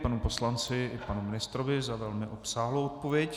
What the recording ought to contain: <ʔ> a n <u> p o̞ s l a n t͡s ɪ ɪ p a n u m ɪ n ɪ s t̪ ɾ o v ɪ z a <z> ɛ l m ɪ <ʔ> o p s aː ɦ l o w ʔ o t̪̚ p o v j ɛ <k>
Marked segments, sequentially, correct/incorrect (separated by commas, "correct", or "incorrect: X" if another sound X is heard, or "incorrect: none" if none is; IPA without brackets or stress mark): incorrect: p, correct, incorrect: v, correct, incorrect: c